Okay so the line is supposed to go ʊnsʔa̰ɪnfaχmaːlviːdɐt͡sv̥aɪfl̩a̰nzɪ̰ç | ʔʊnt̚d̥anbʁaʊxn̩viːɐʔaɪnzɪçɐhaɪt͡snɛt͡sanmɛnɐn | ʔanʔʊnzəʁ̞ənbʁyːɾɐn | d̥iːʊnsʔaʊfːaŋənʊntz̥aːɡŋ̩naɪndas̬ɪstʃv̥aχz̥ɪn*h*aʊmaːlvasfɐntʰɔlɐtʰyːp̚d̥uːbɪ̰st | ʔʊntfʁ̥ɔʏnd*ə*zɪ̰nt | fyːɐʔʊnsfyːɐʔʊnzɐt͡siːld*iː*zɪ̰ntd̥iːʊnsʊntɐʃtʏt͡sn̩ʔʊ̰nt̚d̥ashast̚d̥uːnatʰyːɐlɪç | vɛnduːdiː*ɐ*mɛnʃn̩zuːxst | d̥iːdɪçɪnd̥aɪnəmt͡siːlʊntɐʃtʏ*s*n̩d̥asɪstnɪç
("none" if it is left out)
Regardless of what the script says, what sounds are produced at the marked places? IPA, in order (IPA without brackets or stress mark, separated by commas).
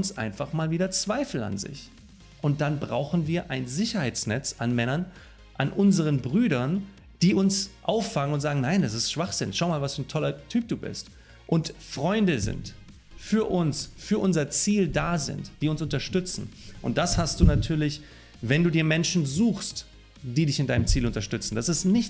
ʃ, ə, aː, ɐ, t͡s